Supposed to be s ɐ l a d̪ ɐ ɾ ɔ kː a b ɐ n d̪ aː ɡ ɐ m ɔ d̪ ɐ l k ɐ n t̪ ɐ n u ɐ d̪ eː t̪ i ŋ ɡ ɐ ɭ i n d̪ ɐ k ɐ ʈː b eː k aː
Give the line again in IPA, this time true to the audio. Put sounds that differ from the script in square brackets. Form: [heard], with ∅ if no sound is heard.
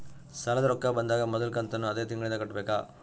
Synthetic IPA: s ɐ l [ɐ] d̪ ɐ ɾ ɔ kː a b ɐ n d̪ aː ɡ ɐ m ɔ d̪ ɐ l k ɐ n t̪ ɐ [nː] u ɐ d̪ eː t̪ i ŋ ɡ ɐ ɭ i n d̪ ɐ k ɐ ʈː b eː k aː

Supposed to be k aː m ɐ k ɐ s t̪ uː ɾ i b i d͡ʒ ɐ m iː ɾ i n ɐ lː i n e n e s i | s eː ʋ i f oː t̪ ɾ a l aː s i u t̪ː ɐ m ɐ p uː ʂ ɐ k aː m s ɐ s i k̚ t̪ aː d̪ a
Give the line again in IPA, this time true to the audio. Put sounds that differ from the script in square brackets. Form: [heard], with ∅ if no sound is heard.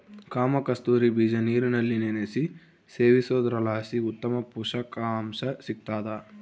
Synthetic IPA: k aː m ɐ k ɐ s t̪ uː ɾ i b i d͡ʒ ɐ [n] iː ɾ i n ɐ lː i n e n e s i | s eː ʋ i [s] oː [d̪] ɾ [ɐ] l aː s i u t̪ː ɐ m ɐ p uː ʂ ɐ k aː m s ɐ s i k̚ t̪ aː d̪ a

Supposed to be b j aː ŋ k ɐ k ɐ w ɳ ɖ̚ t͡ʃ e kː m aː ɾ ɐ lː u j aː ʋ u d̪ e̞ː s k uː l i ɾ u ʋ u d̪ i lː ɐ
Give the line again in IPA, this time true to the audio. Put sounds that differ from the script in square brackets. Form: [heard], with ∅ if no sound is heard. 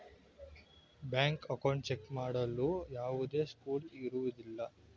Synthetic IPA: b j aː ŋ k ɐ k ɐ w ɳ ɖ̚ t͡ʃ e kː m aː [ɽ] ɐ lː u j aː ʋ u d̪ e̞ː s k uː l i ɾ u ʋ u d̪ i lː ɐ

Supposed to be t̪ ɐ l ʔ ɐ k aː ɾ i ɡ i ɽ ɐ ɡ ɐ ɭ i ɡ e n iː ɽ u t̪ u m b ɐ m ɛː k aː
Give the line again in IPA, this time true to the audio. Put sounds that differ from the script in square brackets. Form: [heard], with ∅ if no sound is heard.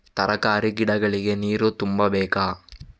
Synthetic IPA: t̪ ɐ [ɾ] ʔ ɐ k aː ɾ i ɡ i ɽ ɐ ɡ ɐ ɭ i ɡ e n iː [ɾ] u t̪ u m b ɐ [b] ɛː k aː

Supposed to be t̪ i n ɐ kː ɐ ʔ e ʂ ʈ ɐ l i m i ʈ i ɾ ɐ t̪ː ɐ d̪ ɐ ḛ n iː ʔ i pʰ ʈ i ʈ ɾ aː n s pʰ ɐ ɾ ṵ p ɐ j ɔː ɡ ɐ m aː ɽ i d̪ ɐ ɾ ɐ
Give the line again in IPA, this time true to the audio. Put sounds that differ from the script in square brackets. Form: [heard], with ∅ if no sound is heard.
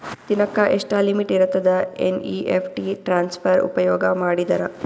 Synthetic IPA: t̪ i n ɐ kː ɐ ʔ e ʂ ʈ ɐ l i m i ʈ i ɾ ɐ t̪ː ɐ d̪ ɐ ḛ n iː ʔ [e] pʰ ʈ i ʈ ɾ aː n s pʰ ɐ ɾ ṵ p ɐ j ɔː ɡ ɐ m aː ɽ i d̪ ɐ ɾ ɐ

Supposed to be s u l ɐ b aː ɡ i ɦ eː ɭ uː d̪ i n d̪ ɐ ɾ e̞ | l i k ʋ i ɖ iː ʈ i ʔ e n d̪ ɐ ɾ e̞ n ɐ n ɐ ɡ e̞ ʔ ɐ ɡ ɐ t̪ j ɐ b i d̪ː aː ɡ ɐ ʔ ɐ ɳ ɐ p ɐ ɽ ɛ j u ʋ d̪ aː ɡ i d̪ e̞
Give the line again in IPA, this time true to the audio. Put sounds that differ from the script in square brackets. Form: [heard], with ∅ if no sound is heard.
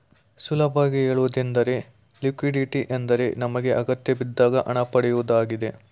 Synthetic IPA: s u l ɐ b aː ɡ i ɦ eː ɭ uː d̪ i n d̪ ɐ ɾ e̞ | l i k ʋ i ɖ [i] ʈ i ʔ e n d̪ ɐ ɾ e̞ n ɐ [m] ɐ ɡ e̞ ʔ ɐ ɡ ɐ t̪ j ɐ b i d̪ː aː ɡ ɐ ʔ ɐ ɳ ɐ p ɐ ɽ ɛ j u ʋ d̪ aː ɡ i d̪ e̞

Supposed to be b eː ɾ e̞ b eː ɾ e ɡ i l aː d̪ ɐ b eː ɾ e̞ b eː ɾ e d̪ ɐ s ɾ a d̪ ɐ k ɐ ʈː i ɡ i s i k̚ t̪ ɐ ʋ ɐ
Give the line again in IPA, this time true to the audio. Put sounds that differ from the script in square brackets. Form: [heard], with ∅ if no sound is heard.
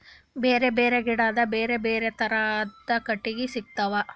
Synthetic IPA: b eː ɾ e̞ b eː ɾ e ɡ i [ɽ] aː d̪ ɐ b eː ɾ e̞ b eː ɾ e [t̪] ɐ [∅] ɾ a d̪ ɐ k ɐ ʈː i ɡ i s i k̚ t̪ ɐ ʋ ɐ

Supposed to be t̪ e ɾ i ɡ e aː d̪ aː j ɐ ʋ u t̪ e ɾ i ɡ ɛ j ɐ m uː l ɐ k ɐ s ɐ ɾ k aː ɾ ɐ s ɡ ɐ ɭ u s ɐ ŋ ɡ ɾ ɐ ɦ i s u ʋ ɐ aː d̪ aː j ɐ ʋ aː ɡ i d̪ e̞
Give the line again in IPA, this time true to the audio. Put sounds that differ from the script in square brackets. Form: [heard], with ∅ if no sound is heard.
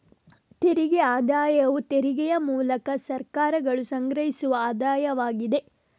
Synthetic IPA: t̪ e ɾ i ɡ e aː d̪ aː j ɐ ʋ u t̪ e ɾ i ɡ ɛ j ɐ m uː l ɐ k ɐ s ɐ ɾ k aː ɾ ɐ [∅] ɡ ɐ ɭ u s ɐ ŋ ɡ ɾ ɐ ɦ i s u ʋ ɐ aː d̪ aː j ɐ ʋ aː ɡ i d̪ e̞

